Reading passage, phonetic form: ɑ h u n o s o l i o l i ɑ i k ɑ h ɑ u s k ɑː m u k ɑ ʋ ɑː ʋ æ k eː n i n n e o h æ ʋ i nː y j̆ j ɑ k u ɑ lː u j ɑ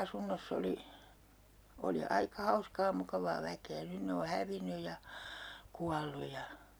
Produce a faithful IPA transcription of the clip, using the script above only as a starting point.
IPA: ɑ s u nː o sː o l i o l i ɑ i k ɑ h ɑ u s k ɑː m u k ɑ ʋ ɑː ʋ æ k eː n y n n e o h æ ʋ i nː y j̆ j ɑ k u ɑ lː u j ɑ